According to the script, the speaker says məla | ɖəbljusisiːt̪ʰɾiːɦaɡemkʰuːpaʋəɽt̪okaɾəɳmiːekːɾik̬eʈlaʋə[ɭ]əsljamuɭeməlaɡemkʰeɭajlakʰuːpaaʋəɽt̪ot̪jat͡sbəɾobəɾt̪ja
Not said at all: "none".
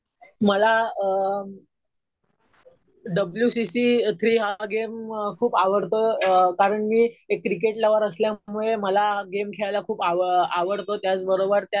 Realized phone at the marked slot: ɾ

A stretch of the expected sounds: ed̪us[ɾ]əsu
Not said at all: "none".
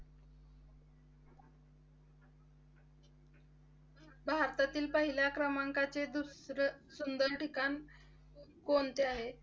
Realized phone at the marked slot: ɾ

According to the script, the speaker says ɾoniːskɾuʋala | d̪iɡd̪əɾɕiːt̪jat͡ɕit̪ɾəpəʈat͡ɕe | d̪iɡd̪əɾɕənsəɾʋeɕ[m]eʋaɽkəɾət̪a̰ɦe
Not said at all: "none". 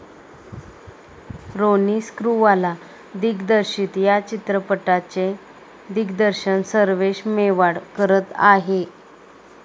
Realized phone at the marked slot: m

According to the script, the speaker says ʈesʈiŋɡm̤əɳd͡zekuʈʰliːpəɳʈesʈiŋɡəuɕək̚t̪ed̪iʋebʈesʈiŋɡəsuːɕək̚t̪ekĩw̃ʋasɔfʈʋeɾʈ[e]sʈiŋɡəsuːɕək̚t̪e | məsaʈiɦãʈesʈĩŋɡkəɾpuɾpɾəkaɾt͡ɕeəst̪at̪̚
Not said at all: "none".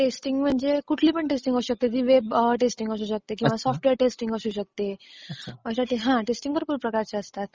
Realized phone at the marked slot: e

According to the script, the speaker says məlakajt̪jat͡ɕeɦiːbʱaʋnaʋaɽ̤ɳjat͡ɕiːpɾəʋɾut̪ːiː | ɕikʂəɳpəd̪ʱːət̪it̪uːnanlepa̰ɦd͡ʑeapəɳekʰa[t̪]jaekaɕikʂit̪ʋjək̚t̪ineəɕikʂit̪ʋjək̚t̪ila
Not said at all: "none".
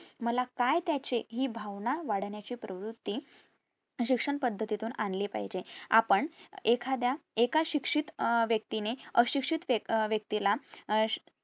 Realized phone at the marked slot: d̪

